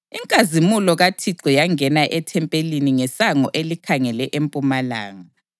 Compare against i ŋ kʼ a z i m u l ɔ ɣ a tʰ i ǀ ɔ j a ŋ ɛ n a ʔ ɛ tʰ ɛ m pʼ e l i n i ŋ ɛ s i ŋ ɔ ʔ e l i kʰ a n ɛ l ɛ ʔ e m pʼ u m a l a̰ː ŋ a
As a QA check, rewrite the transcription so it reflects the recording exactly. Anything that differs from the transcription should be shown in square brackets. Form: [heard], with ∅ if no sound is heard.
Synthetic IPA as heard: i ŋ kʼ a z i m u l ɔ ɣ a tʰ i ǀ ɔ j a ŋ ɛ n a ʔ ɛ tʰ ɛ m pʼ e l i n i ŋ ɛ s [a] ŋ ɔ ʔ e l i kʰ a [ŋ] ɛ l ɛ ʔ e m pʼ u m a l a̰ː ŋ a

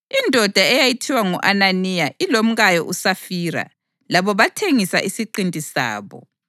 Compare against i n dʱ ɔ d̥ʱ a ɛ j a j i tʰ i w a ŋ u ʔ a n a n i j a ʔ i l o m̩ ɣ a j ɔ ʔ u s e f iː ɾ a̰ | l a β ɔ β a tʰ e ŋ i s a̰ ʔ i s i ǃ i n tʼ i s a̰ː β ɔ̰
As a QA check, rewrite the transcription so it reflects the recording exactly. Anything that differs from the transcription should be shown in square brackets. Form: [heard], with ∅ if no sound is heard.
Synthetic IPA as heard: i n dʱ ɔ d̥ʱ a ɛ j a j i tʰ i w a ŋ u ʔ a n a n i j a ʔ i l o m̩ ɣ a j ɔ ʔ u s [a] f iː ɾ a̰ | l a β ɔ β a tʰ e ŋ i s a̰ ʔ i s i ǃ i n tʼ i s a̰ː β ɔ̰

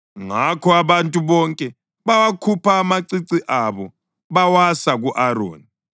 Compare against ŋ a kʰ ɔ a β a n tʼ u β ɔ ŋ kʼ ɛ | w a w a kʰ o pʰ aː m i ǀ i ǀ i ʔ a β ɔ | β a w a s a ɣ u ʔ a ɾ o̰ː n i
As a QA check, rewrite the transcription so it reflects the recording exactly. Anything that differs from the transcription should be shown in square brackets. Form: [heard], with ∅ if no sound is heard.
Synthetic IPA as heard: ŋ a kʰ ɔ a β a n tʼ u β ɔ ŋ kʼ ɛ | [β] a w a kʰ [u] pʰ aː m [a] ǀ i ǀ i ʔ a β ɔ | β a w a s a ɣ u ʔ a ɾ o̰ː n i

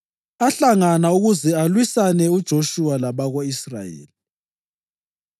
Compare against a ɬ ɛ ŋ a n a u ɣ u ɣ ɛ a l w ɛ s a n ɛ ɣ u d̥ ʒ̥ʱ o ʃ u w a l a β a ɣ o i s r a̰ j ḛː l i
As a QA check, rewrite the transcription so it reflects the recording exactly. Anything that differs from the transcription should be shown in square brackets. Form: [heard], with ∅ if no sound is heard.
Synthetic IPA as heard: a ɬ [a] ŋ a n a u ɣ u [z] ɛ a l w [i] s a n ɛ [∅] u d̥ ʒ̥ʱ o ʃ u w a l a β a ɣ o i s r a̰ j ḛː l i

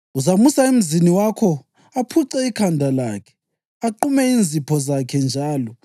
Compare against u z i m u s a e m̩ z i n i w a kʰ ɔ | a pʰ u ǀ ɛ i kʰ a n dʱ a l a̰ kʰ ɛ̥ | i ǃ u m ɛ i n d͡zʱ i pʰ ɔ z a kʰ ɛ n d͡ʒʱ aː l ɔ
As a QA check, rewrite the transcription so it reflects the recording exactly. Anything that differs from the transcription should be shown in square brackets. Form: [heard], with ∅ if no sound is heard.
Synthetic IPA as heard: u z [a] m u s a e m̩ z i n i w a kʰ ɔ | a pʰ u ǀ ɛ i kʰ a n dʱ a l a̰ kʰ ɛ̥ | [a] ǃ u m ɛ i n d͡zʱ i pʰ ɔ z a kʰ ɛ n d͡ʒʱ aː l ɔ

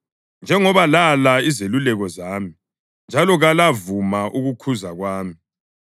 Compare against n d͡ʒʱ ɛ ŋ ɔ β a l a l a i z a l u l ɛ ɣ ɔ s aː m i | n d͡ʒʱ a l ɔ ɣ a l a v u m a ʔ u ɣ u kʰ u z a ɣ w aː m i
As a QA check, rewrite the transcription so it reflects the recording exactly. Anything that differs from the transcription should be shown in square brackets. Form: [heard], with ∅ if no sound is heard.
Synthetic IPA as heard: n d͡ʒʱ ɛ ŋ ɔ β a l a l a i z [e] l u l ɛ ɣ ɔ [z] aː m i | n d͡ʒʱ a l ɔ ɣ a l a v u m a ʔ u ɣ u kʰ u z a ɣ w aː m i

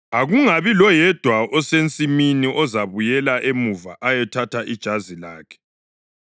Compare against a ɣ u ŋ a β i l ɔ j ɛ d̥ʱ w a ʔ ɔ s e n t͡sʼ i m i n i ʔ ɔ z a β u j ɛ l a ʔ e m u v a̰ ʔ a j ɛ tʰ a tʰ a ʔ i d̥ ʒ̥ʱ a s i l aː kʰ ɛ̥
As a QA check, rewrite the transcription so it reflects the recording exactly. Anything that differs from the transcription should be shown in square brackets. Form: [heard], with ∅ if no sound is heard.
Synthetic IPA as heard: a ɣ u ŋ a β i l ɔ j ɛ d̥ʱ w a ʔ ɔ s e n t͡sʼ i m i n i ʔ ɔ z a β u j ɛ l a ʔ e m u v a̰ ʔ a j ɛ tʰ a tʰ a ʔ i d̥ ʒ̥ʱ a [z] i l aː kʰ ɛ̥

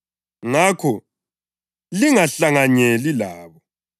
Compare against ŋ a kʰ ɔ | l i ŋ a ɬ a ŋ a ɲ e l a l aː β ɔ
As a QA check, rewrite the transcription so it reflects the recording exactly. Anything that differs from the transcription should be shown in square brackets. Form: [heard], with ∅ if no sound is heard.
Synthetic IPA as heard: ŋ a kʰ ɔ | l i ŋ a ɬ a ŋ a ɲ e l [i] l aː β ɔ

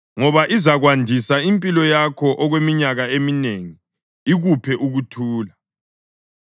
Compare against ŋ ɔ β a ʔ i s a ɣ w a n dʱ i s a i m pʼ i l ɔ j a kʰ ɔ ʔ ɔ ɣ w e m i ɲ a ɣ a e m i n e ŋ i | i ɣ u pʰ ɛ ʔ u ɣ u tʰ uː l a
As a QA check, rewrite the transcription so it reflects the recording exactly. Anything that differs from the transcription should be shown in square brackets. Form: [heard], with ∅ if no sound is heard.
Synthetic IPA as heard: ŋ ɔ β a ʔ i [z] a ɣ w a n dʱ i s a i m pʼ i l ɔ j a kʰ ɔ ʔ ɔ ɣ w e m i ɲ a ɣ a e m i n e ŋ i | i ɣ u pʰ ɛ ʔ u ɣ u tʰ uː l a

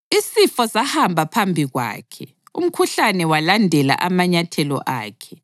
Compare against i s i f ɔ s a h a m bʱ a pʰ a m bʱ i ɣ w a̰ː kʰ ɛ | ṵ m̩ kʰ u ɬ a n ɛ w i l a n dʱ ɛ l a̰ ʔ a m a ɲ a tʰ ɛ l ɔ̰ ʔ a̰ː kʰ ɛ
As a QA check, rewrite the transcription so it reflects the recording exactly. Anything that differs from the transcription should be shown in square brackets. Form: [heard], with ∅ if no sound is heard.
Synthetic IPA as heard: i s i f ɔ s a h a m bʱ a pʰ a m bʱ i ɣ w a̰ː kʰ ɛ | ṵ m̩ kʰ u ɬ a n ɛ w [a] l a n dʱ ɛ l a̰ ʔ a m a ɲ a tʰ ɛ l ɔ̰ ʔ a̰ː kʰ ɛ

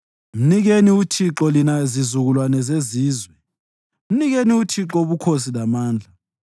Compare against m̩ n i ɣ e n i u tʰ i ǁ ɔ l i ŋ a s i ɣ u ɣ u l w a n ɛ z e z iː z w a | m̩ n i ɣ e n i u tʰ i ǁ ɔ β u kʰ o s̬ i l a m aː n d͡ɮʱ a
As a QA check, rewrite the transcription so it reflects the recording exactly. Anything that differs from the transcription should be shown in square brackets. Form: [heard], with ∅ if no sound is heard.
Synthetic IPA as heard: m̩ n i ɣ e n i u tʰ i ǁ ɔ l i [n] a [z] i [z] u ɣ u l w a n ɛ z e z iː z w [ɛ] | m̩ n i ɣ e n i u tʰ i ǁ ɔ β u kʰ o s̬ i l a m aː n d͡ɮʱ a

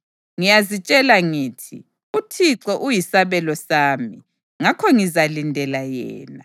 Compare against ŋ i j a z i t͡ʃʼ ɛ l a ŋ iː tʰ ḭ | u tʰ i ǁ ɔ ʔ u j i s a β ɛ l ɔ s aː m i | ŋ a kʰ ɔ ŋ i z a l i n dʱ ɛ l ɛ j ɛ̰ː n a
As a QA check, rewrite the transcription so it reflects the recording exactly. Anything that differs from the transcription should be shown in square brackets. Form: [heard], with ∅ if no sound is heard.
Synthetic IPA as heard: ŋ i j a z i t͡ʃʼ ɛ l a ŋ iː tʰ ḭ | u tʰ i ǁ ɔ ʔ u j i s a β ɛ l ɔ s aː m i | ŋ a kʰ ɔ ŋ i z a l i n dʱ ɛ l [a] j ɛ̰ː n a

